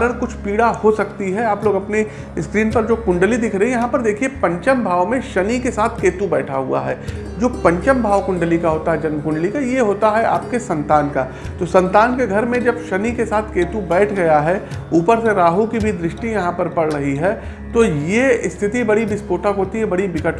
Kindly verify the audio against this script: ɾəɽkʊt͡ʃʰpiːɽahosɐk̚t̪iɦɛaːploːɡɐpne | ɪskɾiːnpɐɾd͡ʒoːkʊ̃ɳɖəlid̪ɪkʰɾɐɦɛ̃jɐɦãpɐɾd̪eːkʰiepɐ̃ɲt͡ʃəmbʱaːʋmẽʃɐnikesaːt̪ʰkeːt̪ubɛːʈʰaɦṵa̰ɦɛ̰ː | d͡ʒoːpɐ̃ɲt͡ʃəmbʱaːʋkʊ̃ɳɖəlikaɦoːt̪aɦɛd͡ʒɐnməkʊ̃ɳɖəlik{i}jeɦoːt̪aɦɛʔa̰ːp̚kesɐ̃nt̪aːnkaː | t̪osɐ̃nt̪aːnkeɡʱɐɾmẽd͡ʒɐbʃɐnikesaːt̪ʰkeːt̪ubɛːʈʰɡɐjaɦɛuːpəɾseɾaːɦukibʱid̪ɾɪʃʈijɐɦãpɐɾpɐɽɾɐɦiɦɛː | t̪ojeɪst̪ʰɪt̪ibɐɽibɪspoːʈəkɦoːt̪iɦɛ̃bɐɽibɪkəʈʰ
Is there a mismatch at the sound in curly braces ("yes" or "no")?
yes